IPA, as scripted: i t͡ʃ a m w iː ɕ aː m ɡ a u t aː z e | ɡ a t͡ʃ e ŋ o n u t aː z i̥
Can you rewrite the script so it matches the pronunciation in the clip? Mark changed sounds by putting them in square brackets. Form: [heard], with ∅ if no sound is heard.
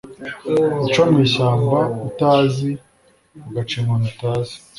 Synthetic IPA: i t͡ʃ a m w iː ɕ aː m [b] a u t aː z [i] | ɡ a t͡ʃ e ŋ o n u t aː z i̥